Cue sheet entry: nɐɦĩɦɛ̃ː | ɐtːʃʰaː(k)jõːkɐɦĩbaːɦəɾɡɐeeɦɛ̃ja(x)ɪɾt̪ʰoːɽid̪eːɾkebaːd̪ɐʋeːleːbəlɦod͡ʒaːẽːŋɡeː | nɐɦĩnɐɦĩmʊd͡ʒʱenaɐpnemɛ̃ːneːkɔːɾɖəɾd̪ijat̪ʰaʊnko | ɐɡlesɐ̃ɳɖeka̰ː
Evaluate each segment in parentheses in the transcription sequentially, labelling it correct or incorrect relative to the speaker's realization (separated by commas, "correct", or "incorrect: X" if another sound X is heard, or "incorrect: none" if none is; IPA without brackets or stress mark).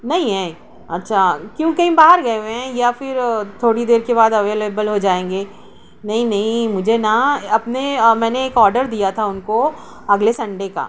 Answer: correct, incorrect: f